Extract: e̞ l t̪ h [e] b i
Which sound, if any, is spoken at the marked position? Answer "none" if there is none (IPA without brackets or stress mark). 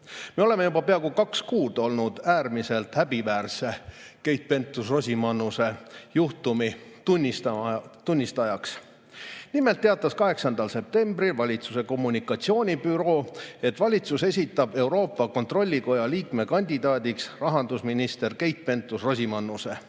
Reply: æ